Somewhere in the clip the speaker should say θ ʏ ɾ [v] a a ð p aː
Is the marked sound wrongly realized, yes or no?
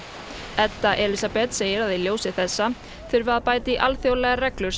no